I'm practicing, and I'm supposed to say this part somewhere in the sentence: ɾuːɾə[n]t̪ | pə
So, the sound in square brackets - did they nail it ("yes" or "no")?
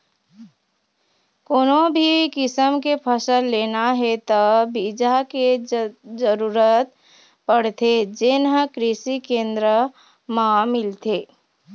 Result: no